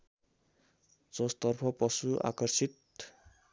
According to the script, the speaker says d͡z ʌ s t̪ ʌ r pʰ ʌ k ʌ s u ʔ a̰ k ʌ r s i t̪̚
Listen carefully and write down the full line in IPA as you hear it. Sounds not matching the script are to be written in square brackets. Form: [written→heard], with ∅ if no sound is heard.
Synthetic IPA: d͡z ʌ s t̪ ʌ r pʰ ʌ [k→p] ʌ s u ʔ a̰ k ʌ r s i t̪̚